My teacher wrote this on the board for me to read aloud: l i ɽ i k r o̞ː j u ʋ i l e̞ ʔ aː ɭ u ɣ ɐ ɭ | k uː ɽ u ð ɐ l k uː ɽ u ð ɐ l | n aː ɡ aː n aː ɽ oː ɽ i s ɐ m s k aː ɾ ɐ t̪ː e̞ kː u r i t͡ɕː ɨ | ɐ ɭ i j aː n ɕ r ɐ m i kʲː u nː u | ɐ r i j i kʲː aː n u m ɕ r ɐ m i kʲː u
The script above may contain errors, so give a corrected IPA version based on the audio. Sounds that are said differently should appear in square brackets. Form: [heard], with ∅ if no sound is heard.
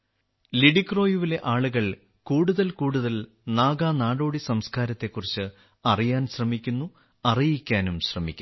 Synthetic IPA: l i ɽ i k r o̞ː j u ʋ i l e̞ ʔ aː ɭ u ɣ ɐ ɭ | k uː ɽ u ð ɐ l k uː ɽ u ð ɐ l | n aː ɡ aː n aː ɽ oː ɽ i s ɐ m s k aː ɾ ɐ t̪ː e̞ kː u r i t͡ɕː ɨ | ɐ [r] i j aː n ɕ r ɐ m i kʲː u nː u | ɐ r i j i kʲː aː n u m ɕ r ɐ m i kʲː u